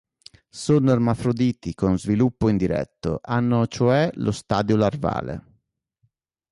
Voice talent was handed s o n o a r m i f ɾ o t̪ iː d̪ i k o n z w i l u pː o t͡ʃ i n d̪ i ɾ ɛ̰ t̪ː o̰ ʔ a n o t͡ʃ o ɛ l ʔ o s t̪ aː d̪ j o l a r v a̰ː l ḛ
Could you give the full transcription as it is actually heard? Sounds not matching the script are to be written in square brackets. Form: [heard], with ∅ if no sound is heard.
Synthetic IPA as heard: s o n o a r m [a] f ɾ o [d̪] iː [t̪] i k o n z [v] i l u pː o [∅] i n d̪ i ɾ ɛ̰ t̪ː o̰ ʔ a [nː] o t͡ʃ o ɛ l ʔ o s t̪ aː d̪ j o l a r v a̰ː l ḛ